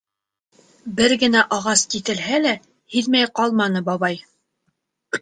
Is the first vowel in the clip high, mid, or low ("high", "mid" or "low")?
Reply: mid